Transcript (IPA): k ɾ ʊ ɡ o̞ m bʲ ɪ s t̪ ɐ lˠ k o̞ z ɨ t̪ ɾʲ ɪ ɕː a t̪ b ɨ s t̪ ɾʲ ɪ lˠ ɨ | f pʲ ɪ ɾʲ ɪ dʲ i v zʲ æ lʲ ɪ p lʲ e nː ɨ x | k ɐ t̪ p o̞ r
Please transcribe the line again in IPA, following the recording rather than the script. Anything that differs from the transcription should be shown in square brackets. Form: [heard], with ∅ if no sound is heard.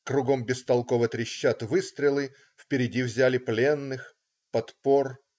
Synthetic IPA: k ɾ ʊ ɡ o̞ m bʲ ɪ s t̪ ɐ lˠ k o̞ [v] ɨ t̪ ɾʲ ɪ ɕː a t̪ [v] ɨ s t̪ ɾʲ ɪ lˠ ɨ | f pʲ ɪ ɾʲ ɪ dʲ i v zʲ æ lʲ ɪ p lʲ e nː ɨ x | [p] ɐ t̪ p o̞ r